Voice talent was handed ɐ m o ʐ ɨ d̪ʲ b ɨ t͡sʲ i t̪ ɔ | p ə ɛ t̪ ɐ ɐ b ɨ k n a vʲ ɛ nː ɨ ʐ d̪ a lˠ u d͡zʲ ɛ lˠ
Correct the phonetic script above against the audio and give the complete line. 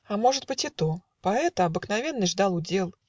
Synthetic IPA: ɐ m ɔ ʐ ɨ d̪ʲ b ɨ t͡sʲ i t̪ ɔ | p a ɛ t̪ ɐ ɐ b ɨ k n a vʲ ɛ nː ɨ ʐ d̪ a lˠ u d͡zʲ ɛ lˠ